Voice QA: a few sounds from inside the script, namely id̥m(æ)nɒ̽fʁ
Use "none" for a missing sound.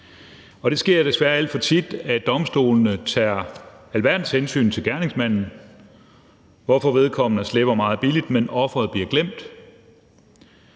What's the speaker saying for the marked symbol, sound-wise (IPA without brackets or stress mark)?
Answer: e